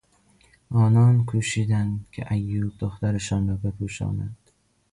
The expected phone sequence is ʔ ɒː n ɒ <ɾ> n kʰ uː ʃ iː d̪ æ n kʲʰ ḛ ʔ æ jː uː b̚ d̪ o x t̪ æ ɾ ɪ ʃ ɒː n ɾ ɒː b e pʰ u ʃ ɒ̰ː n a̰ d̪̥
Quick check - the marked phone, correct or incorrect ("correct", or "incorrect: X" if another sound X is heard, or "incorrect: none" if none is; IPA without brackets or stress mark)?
incorrect: none